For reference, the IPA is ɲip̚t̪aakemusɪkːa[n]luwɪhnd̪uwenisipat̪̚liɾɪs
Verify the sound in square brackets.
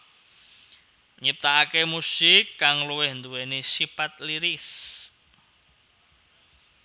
incorrect: ŋ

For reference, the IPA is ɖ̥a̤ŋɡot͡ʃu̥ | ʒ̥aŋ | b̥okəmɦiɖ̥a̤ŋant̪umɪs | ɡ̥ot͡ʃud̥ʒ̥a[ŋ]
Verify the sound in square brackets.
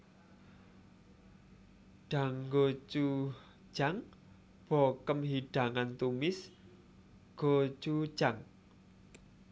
correct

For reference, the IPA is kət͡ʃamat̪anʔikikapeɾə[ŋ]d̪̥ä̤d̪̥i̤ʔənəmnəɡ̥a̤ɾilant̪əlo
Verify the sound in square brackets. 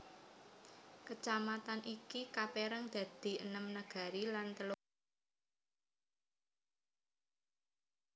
correct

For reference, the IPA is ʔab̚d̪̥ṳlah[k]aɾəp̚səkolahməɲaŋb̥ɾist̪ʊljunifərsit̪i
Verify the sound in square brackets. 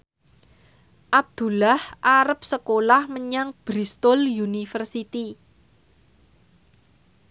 incorrect: ʔ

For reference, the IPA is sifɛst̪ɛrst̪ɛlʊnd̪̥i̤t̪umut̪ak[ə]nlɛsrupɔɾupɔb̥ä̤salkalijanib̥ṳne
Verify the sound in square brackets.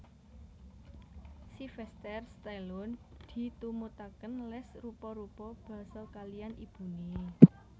correct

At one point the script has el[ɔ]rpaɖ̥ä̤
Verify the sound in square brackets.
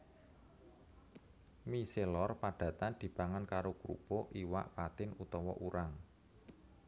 correct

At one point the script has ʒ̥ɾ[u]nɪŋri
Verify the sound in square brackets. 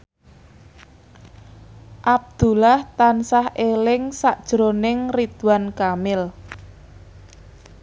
incorrect: o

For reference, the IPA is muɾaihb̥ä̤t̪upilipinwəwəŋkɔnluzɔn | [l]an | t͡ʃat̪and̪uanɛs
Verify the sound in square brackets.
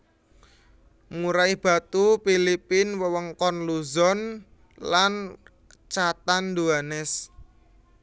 correct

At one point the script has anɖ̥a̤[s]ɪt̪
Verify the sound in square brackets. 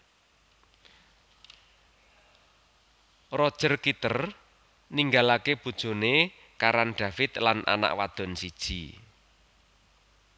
incorrect: f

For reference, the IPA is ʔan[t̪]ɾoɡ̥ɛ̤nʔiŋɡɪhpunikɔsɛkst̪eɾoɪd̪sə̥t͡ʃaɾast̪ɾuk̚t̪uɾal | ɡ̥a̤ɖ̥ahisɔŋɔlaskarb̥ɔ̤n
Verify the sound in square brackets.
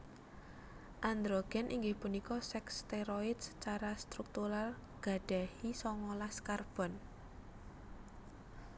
incorrect: d̪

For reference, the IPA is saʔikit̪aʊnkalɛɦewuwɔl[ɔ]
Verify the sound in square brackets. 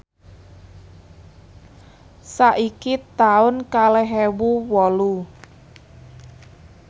incorrect: u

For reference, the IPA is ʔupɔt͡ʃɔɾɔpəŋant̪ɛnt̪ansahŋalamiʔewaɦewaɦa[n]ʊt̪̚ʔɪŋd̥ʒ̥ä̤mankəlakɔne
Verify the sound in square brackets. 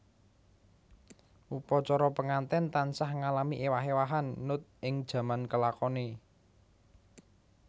incorrect: nː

